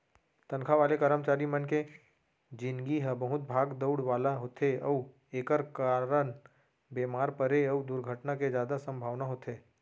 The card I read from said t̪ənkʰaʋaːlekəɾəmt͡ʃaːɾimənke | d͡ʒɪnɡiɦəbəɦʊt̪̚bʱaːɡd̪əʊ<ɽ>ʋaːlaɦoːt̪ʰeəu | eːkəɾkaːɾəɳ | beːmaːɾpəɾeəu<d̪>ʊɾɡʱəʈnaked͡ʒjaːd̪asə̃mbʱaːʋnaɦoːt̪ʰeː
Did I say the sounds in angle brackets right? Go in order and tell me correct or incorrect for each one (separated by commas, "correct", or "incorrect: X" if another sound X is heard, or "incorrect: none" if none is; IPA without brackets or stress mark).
correct, correct